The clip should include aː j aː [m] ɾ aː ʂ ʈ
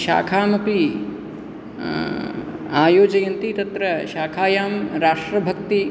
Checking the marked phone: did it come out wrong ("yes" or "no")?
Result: no